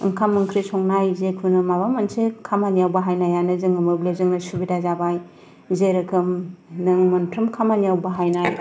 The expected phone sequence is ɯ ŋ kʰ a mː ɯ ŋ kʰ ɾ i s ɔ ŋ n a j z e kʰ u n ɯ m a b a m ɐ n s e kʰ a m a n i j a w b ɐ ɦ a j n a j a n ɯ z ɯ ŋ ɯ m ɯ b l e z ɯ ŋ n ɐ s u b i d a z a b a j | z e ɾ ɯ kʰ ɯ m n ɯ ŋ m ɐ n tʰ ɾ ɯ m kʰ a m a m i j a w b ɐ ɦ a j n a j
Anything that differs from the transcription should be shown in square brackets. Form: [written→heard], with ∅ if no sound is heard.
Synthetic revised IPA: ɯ ŋ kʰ a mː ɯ ŋ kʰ ɾ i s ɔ ŋ n a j z e kʰ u n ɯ m a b a m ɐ n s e kʰ a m a n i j a w b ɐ ɦ a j n a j a n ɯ z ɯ ŋ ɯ m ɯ b l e z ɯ ŋ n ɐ s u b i d a z a b a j | z e ɾ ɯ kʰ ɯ m n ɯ ŋ m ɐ n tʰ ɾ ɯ m kʰ a m a [m→n] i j a w b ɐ ɦ a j n a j